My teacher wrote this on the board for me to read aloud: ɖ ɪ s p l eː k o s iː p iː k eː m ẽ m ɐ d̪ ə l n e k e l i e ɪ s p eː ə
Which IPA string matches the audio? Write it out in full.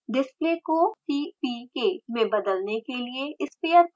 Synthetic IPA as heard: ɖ ɪ s p l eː k o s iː p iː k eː m ẽ b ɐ d̪ ə l n e k e l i e ɪ s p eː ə